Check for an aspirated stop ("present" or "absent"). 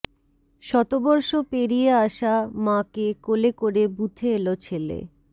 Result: present